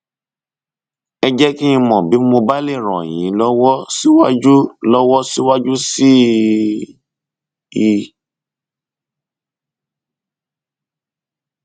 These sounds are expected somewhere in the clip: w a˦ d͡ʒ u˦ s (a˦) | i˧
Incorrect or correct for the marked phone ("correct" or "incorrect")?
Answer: incorrect